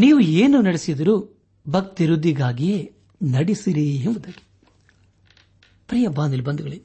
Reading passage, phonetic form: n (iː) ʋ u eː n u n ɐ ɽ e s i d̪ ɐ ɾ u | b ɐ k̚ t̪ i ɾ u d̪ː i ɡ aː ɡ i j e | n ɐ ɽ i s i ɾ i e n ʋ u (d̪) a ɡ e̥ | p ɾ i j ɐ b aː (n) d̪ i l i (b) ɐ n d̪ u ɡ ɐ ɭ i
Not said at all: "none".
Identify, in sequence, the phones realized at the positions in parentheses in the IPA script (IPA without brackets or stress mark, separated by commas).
iː, d̪, n, b